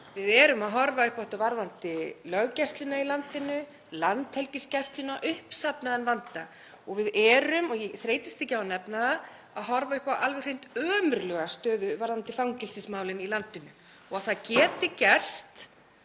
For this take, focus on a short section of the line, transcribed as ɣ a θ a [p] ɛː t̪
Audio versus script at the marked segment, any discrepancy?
yes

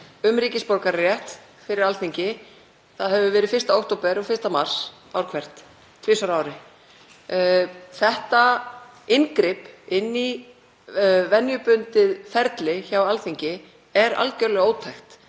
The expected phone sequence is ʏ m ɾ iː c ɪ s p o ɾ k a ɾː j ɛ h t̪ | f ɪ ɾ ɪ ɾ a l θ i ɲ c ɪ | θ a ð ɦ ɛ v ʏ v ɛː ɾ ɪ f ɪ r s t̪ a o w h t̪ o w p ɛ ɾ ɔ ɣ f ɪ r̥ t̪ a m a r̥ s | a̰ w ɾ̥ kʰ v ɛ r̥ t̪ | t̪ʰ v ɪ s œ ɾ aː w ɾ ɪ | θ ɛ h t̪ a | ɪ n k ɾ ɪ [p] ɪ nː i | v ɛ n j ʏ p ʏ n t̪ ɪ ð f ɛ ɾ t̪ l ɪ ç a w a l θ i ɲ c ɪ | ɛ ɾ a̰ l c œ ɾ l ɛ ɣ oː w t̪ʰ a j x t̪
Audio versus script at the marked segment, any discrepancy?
no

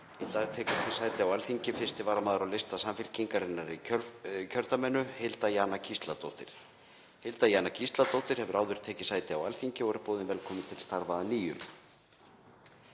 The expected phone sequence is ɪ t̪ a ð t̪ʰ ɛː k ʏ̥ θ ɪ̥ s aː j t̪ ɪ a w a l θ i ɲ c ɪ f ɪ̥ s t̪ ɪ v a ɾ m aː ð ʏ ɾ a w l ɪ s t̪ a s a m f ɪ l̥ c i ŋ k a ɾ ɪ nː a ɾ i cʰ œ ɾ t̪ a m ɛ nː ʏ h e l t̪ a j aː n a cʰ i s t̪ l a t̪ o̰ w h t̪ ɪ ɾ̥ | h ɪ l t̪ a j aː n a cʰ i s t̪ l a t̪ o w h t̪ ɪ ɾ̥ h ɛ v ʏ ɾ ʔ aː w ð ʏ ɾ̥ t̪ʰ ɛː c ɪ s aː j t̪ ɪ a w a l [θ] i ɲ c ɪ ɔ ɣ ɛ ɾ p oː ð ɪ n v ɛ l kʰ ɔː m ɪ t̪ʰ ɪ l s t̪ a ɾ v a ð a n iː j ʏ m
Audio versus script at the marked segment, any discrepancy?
no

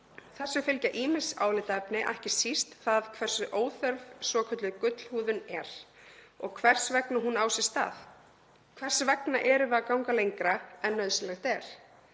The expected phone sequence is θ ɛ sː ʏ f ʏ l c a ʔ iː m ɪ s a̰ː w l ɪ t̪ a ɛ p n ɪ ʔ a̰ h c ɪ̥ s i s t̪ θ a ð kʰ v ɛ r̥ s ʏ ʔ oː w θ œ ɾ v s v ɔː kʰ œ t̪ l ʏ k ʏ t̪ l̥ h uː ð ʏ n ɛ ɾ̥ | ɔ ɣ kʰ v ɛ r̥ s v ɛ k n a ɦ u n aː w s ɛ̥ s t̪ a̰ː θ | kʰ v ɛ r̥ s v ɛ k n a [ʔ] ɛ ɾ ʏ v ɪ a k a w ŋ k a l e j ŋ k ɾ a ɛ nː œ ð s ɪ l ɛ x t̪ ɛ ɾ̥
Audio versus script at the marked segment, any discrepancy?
no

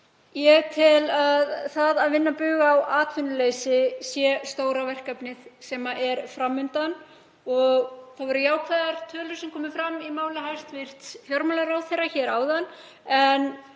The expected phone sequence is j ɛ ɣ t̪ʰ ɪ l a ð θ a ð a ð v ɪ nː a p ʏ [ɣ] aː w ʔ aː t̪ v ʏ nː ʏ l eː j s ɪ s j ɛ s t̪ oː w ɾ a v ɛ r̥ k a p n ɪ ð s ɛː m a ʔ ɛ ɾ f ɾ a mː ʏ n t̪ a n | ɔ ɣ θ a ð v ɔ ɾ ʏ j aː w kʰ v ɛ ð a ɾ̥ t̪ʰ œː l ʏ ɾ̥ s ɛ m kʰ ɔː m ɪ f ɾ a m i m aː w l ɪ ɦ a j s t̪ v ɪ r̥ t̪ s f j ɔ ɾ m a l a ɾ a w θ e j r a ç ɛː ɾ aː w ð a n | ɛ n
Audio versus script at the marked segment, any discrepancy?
no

